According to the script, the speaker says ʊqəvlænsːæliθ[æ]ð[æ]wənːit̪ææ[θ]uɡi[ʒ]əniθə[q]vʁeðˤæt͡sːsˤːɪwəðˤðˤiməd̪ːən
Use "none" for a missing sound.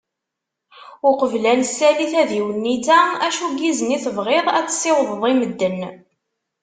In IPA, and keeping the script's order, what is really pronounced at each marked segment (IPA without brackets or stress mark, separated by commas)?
æ, i, ʃ, z, none